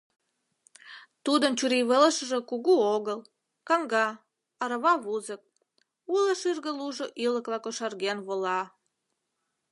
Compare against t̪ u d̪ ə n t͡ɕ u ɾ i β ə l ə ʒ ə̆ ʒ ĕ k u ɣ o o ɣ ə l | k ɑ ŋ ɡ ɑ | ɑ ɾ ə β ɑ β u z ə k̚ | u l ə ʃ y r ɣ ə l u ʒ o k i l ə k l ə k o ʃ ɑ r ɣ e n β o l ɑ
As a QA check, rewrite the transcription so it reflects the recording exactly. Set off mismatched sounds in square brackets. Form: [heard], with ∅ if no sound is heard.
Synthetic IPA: t̪ u d̪ ə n t͡ɕ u ɾ i β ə l ə [ʃ] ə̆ ʒ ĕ k u ɣ [u] o ɣ ə l | k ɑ ŋ ɡ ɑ | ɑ ɾ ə β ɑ β u z ə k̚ | u l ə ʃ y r ɣ ə l u ʒ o [ʔ] i l ə k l [ɑ] k o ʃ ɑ r ɣ e n β o l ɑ